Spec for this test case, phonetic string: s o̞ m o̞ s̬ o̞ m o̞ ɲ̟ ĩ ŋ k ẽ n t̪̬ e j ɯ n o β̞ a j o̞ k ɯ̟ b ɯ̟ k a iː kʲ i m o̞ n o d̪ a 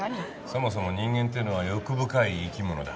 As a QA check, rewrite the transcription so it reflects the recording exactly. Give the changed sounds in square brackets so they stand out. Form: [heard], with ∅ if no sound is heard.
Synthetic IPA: s o̞ m o̞ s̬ o̞ m o̞ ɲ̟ ĩ ŋ [ɡ] ẽ n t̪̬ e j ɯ n o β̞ a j o̞ k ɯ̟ b ɯ̟ k a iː kʲ i m o̞ n o d̪ a